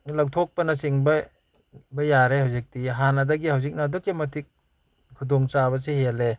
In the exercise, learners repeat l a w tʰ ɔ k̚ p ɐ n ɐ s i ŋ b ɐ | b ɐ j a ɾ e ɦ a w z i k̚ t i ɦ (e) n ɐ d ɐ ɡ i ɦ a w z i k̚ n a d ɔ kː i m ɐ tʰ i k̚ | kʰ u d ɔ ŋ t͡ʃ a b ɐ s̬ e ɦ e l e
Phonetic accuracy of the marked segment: incorrect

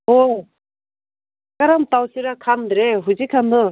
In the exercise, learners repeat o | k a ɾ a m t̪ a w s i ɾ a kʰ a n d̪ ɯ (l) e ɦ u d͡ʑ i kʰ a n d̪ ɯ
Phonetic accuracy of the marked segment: incorrect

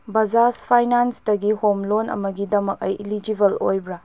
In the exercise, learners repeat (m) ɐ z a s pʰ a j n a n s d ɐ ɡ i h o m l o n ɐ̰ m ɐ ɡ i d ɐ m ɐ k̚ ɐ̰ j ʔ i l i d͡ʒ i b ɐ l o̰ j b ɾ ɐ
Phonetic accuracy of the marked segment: incorrect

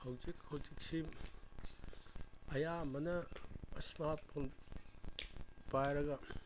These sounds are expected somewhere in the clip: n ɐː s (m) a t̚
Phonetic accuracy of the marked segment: correct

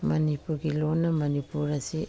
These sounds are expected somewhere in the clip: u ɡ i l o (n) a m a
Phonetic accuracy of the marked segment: correct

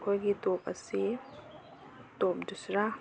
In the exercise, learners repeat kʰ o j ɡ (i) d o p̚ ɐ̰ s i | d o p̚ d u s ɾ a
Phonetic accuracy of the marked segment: correct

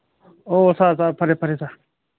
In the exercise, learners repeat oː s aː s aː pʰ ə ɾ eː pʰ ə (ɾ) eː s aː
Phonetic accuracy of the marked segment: correct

